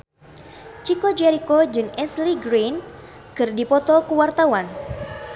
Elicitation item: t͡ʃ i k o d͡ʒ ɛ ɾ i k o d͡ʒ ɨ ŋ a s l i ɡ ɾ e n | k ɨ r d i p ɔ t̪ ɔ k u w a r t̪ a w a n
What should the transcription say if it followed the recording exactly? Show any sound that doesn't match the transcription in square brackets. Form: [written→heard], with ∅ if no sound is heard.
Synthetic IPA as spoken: t͡ʃ i k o d͡ʒ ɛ ɾ i k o d͡ʒ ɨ ŋ [a→ɛ] s l i ɡ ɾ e n | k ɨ r d i p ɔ t̪ ɔ k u w a r t̪ a w a n